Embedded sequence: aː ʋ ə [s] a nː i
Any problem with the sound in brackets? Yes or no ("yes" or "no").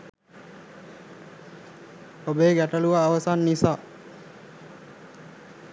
no